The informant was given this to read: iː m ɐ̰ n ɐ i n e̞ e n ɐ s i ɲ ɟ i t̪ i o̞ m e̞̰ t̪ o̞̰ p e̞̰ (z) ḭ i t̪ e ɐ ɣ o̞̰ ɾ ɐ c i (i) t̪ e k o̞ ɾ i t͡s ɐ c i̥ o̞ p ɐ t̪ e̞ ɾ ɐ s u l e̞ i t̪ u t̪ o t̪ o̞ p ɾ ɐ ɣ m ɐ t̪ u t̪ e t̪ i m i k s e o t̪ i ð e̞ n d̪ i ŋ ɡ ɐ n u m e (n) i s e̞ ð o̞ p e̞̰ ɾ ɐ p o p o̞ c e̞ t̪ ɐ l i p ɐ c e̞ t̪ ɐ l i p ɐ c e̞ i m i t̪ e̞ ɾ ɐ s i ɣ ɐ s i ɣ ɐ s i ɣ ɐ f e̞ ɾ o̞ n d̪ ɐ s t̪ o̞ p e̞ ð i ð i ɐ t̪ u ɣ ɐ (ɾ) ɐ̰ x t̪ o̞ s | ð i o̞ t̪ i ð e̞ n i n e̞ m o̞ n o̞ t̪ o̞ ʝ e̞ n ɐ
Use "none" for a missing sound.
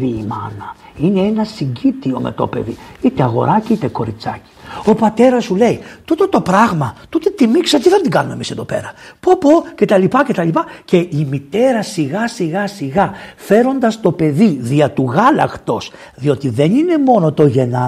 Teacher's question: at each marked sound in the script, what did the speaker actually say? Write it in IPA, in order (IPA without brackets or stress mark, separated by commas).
ð, i, m, l